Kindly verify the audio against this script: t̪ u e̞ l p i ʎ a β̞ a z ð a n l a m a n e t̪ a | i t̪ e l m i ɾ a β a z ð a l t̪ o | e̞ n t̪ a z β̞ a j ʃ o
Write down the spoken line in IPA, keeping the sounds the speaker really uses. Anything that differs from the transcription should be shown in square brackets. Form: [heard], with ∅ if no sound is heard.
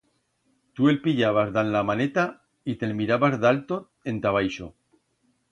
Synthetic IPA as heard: t̪ u e̞ l p i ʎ a β̞ a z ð a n l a m a n e t̪ a | i t̪ e l m i ɾ a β a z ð a l t̪ o | e̞ n t̪ a [∅] β̞ a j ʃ o

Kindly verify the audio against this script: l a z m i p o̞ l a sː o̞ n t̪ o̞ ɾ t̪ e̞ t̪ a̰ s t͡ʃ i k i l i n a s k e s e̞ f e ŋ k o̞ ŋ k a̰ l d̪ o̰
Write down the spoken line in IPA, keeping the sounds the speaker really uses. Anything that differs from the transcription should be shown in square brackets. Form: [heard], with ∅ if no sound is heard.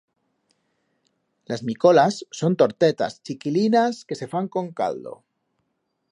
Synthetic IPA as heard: l a z m i [k] o̞ l a sː o̞ n t̪ o̞ ɾ t̪ e̞ t̪ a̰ s t͡ʃ i k i l i n a s k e s e̞ f [a] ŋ k o̞ ŋ k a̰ l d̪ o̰

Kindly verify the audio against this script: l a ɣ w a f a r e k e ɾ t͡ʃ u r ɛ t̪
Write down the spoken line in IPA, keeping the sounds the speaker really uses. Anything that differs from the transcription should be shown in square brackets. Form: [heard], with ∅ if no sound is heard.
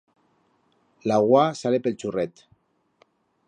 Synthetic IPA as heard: l a ɣ w a [s] a [l] e [p] e [l] t͡ʃ u r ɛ t̪

